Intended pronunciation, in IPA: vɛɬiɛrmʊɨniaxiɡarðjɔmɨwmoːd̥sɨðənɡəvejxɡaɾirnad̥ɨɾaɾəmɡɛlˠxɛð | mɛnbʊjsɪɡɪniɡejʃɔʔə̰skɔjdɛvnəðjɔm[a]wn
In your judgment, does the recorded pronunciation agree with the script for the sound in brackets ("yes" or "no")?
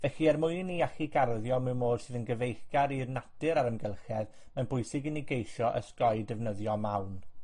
yes